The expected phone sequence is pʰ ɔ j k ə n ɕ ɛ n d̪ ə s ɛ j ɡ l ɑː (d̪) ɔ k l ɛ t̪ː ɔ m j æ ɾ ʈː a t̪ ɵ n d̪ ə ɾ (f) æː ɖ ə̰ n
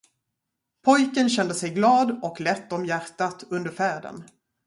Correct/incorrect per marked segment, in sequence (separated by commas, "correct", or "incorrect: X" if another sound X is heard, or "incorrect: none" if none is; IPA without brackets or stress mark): correct, correct